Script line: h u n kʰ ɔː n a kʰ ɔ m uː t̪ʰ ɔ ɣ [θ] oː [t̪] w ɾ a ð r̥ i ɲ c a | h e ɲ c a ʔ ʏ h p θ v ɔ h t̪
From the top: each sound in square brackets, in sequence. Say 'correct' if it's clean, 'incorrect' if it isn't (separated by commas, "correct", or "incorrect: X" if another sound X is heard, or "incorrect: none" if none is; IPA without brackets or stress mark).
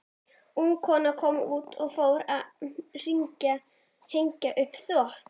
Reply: incorrect: f, incorrect: none